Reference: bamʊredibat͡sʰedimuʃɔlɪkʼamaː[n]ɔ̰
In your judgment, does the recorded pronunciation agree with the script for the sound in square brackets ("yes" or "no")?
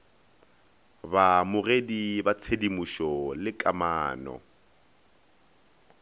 yes